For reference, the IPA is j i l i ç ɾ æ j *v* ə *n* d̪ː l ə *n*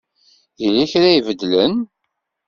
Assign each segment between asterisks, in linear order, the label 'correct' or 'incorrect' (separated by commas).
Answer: correct, incorrect, correct